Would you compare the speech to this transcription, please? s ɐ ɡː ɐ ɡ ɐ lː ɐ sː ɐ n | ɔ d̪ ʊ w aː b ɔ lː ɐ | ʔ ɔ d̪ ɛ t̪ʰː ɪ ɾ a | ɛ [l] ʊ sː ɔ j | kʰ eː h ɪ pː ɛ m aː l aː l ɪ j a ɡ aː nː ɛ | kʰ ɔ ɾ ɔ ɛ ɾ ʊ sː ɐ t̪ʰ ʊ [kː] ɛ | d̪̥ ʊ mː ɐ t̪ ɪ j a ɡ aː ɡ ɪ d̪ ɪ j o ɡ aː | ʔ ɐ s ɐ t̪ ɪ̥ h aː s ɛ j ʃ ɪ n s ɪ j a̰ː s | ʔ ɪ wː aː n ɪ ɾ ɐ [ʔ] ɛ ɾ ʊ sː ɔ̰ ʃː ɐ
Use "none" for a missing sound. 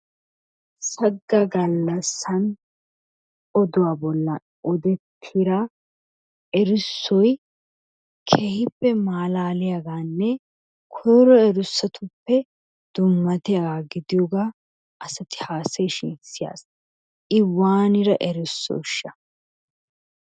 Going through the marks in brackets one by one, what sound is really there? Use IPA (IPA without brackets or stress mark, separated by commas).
ɾ, pː, ʔ